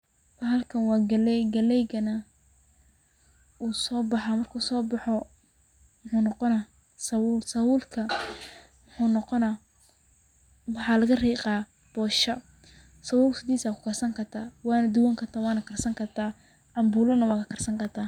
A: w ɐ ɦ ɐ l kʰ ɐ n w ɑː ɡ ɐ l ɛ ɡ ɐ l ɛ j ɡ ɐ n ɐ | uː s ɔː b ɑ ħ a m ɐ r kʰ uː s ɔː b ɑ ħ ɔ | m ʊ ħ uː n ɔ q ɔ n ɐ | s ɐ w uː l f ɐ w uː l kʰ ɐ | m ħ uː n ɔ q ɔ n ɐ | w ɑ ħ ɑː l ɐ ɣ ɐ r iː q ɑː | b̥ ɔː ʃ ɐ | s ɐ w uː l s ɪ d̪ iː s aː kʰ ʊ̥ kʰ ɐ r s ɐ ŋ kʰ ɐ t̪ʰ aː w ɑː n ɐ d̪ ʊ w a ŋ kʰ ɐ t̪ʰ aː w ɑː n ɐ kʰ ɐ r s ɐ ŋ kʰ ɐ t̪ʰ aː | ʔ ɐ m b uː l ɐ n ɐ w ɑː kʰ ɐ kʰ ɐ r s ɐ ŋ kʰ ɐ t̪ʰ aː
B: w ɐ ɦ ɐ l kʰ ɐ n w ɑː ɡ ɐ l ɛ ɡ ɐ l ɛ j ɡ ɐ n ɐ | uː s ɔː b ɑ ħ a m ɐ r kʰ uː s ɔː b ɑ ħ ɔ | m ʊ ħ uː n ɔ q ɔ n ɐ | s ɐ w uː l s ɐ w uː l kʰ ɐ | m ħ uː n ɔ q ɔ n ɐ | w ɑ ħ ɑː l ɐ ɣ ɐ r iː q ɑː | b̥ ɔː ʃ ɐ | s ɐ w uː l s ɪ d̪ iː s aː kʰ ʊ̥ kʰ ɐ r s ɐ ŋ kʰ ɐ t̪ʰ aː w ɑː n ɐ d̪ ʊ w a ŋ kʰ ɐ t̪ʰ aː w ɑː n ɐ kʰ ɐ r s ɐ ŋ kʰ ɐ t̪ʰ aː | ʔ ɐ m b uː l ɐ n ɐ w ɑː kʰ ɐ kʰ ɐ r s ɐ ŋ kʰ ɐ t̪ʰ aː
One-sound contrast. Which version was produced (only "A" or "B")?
B